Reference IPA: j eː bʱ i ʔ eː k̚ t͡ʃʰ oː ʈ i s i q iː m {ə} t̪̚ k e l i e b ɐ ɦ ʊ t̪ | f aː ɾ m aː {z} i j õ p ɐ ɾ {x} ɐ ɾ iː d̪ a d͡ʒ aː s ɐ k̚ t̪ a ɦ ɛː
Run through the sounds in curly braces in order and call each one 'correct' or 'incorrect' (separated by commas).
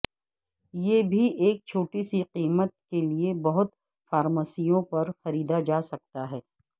correct, incorrect, correct